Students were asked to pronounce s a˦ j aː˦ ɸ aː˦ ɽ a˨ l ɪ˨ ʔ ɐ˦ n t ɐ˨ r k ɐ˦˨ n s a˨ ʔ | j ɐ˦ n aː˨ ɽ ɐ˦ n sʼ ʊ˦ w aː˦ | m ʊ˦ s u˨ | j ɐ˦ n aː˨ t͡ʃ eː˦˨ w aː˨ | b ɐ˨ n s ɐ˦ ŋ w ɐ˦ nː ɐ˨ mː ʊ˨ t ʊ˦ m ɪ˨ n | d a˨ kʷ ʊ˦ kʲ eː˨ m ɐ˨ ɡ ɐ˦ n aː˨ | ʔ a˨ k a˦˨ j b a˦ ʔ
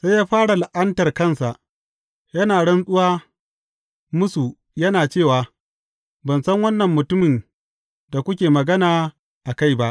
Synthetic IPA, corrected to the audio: s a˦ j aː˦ ɸ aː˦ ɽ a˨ l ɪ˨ ʔ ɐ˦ n t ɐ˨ r k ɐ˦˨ n s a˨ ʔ | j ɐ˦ n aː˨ ɽ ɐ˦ n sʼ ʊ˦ w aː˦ | m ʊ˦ s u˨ | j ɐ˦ n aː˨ t͡ʃ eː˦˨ w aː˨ | b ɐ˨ n s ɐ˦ ŋ w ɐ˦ nː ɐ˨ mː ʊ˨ t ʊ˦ m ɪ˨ n | d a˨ kʷ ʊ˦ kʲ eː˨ m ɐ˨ ɡ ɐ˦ n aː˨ | ʔ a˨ k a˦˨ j b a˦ ʔ

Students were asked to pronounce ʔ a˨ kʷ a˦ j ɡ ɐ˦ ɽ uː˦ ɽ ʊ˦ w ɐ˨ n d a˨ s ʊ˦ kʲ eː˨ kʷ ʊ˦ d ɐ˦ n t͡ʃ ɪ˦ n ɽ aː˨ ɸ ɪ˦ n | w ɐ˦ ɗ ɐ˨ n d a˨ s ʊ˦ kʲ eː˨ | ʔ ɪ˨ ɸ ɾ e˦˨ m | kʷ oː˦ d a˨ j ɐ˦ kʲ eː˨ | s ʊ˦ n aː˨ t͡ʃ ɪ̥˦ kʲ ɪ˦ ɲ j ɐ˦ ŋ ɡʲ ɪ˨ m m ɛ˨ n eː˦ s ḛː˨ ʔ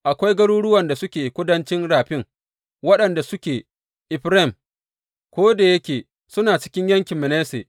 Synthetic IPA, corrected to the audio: ʔ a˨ kʷ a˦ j ɡ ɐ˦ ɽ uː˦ ɽ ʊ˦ w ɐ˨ n d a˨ s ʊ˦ kʲ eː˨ kʷ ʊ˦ d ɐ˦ n t͡ʃ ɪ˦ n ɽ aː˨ ɸ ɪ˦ ŋ | w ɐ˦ ɗ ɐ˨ n d a˨ s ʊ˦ kʲ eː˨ | ʔ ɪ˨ ɸ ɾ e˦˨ m | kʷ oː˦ d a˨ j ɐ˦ kʲ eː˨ | s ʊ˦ n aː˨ t͡ʃ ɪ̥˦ kʲ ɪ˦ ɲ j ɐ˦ ŋ kʲ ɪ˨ m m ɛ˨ n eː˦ s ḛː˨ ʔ

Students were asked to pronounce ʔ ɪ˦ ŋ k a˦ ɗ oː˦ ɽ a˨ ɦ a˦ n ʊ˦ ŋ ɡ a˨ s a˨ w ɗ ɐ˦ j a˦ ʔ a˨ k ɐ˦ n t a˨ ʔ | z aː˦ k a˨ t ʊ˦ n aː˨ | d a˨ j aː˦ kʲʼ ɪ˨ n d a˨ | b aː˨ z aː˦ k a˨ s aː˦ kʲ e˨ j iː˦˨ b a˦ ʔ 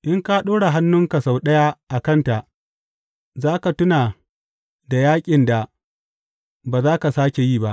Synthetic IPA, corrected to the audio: ʔ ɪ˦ ŋ k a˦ ɗ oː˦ ɽ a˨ ɦ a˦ nː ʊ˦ ŋ k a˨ s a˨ w ɗ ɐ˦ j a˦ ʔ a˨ k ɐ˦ n t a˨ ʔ | z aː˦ k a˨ t ʊ˦ n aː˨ | d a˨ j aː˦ kʲʼ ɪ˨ n d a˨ | b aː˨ z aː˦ k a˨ s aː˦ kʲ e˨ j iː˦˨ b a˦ ʔ

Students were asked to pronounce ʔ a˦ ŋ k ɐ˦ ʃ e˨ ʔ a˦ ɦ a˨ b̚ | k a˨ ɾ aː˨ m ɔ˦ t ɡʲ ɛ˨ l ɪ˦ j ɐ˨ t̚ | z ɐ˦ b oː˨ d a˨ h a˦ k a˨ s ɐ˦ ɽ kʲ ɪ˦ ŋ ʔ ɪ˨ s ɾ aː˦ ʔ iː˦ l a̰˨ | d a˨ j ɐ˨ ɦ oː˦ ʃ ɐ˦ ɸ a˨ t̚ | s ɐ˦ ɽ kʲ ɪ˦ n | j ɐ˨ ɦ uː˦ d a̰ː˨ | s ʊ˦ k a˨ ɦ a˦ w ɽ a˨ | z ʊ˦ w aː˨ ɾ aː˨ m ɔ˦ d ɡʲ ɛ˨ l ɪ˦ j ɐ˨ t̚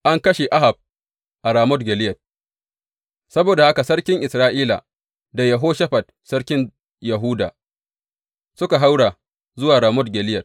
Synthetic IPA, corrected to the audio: ʔ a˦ ŋ k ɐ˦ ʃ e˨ ʔ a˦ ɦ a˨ b̚ | ʔ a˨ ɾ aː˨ m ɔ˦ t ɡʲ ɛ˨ l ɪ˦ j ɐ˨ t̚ | s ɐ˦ b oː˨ d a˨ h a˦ k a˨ s ɐ˦ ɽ kʲ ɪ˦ ŋ ʔ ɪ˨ s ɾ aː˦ ʔ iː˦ l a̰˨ | d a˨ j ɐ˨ ɦ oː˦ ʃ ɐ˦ ɸ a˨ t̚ | s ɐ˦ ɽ kʲ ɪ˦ n | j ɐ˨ ɦ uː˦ d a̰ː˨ | s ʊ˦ k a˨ ɦ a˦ w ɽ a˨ | z ʊ˦ w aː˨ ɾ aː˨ m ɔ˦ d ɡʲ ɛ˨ l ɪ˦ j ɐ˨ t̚

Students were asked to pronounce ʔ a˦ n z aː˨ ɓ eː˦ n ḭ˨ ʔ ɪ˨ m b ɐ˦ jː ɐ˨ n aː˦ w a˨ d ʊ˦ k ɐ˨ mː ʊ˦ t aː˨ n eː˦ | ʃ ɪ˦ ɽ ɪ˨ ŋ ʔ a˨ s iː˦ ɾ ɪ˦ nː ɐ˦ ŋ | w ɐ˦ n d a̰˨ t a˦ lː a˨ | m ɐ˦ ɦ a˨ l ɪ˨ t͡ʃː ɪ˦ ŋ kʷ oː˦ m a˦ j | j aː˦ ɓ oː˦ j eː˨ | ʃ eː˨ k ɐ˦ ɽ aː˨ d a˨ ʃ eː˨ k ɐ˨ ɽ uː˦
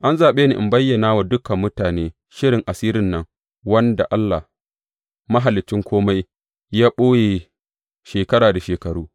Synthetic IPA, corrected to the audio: ʔ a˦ n z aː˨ ɓ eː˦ n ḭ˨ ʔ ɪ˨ m b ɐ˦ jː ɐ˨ n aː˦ w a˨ d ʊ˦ k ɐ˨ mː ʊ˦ t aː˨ n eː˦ | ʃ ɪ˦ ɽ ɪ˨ ŋ ʔ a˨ s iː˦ ɾ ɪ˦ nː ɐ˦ ŋ | w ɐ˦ n d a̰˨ ʔ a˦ lː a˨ | m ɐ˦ ɦ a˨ l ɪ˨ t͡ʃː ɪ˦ ŋ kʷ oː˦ m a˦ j | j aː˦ ɓ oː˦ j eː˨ | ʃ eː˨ k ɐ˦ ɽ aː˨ d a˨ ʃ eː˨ k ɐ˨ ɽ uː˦

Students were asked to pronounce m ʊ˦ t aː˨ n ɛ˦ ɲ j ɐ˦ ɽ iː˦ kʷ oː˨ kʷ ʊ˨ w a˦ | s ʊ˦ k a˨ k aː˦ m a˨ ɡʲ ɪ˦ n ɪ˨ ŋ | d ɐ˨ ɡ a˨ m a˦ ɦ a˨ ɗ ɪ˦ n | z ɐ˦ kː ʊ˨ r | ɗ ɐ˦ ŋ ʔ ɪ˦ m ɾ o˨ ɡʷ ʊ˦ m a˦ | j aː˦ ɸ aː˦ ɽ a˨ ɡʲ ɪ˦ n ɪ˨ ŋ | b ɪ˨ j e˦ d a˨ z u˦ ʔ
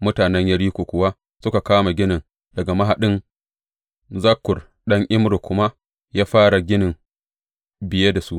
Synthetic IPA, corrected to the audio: m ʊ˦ t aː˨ n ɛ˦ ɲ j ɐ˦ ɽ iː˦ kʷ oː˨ kʷ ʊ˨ w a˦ | s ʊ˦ k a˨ k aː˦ m a˨ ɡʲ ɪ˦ n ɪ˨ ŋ | d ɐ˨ ɡ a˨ m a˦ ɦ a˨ ɗ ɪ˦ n | z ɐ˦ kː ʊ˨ r | ɗ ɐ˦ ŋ ʔ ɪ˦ m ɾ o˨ kʷ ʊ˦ m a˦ | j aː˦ ɸ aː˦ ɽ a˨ ɡʲ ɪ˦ n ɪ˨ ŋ | b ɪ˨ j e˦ d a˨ s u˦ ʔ

